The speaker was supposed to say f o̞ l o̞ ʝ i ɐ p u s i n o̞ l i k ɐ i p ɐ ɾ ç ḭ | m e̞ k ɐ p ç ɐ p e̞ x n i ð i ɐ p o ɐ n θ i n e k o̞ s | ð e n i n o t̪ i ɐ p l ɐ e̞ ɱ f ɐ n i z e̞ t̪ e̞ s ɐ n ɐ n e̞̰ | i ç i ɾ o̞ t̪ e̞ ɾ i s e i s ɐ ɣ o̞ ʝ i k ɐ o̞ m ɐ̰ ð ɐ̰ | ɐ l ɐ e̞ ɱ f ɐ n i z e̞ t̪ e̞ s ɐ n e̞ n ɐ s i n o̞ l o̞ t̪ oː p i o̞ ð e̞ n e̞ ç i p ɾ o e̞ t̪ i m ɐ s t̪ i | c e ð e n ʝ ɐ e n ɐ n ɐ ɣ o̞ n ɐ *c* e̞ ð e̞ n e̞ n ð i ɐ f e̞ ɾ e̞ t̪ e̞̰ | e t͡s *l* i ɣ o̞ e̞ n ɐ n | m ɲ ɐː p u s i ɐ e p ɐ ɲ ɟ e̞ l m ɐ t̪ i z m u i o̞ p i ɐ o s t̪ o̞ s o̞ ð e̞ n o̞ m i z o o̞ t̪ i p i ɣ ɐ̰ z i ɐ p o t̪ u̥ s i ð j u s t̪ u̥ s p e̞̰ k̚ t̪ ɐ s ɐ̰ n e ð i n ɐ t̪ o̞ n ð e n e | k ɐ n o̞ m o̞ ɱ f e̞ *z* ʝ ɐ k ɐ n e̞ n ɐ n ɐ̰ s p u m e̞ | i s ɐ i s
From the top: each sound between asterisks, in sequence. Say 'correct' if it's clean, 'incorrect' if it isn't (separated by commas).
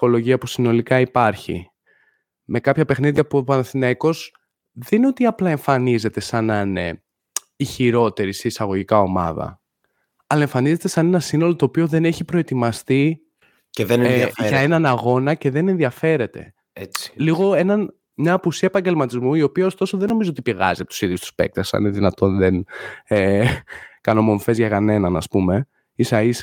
correct, correct, correct